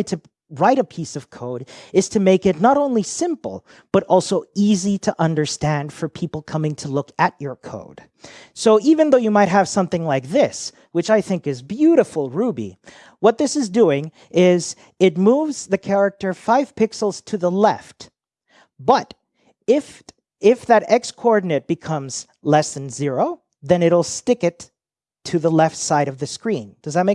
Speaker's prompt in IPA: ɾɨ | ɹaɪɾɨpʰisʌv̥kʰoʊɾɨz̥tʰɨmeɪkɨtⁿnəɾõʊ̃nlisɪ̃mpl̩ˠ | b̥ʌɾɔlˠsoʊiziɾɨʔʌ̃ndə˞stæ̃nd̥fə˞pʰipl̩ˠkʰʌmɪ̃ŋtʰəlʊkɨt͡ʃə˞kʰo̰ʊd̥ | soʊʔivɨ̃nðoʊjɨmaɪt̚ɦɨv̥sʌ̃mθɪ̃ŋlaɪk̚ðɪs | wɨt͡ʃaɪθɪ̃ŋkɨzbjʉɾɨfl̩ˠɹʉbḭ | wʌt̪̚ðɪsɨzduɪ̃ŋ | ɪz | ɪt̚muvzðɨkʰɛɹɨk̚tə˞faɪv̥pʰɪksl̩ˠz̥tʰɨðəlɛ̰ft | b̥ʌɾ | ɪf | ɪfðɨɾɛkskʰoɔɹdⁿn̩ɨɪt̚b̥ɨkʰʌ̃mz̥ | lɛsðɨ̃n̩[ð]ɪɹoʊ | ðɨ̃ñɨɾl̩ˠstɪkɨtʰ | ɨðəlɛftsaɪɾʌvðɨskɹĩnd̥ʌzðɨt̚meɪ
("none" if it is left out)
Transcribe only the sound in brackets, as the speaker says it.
z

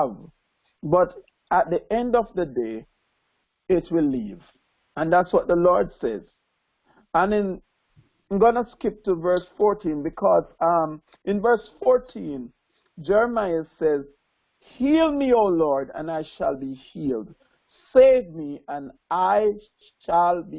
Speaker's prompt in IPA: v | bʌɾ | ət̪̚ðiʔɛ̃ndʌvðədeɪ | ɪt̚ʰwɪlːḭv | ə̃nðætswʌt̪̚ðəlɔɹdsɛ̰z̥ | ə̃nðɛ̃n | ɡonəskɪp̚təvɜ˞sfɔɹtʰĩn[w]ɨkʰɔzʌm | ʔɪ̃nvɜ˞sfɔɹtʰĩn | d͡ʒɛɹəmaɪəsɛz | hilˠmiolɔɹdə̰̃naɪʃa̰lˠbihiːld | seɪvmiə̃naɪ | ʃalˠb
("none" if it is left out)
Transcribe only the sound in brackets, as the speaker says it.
b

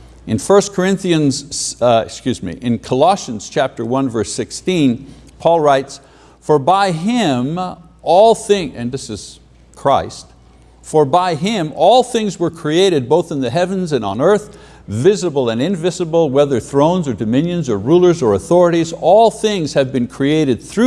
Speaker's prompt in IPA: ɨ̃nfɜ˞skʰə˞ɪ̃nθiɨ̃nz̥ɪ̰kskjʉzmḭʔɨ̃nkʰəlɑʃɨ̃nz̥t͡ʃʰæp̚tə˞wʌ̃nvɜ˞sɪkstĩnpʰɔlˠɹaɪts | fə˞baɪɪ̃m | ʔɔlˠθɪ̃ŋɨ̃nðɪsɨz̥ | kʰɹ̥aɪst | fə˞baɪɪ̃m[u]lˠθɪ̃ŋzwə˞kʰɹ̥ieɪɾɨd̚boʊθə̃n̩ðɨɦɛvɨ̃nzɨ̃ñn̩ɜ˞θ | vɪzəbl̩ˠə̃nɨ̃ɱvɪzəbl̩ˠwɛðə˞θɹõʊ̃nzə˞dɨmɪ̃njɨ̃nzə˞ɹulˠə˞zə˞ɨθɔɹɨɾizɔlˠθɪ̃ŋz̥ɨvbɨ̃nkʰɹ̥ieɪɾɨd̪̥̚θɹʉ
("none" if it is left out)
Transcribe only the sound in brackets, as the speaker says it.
ɔ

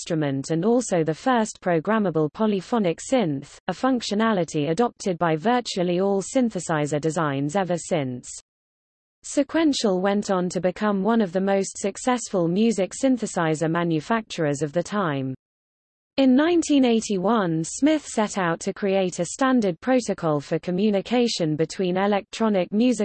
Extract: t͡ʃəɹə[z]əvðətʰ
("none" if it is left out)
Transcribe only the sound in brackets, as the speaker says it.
z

